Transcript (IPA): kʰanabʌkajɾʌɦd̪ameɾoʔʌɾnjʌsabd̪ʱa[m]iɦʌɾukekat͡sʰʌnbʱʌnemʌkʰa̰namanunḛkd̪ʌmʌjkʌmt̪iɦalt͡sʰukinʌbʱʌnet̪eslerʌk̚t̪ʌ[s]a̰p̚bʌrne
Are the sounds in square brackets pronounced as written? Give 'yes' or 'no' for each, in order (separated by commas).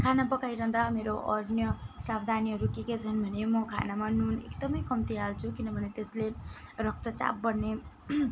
no, no